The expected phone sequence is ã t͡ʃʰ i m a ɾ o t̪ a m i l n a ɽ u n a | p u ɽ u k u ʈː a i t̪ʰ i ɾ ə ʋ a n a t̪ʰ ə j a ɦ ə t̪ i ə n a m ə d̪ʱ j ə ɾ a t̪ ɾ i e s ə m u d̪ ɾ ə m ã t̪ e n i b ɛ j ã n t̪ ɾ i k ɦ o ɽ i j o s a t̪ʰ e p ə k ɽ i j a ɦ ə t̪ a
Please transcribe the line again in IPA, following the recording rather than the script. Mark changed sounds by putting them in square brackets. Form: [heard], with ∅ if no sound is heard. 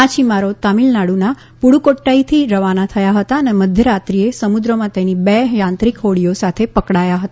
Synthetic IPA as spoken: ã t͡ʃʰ i m a ɾ o t̪ a m i l n a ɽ u n a | p u ɽ u k [o] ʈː a i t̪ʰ i ɾ ə ʋ a n a t̪ʰ ə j a ɦ ə t̪ [a] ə n [e] m ə d̪ʱ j ə ɾ a t̪ ɾ i e s ə m u d̪ ɾ ə m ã t̪ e n i b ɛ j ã n t̪ ɾ i k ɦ o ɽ i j o s a t̪ʰ e p ə k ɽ [a] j a ɦ ə t̪ a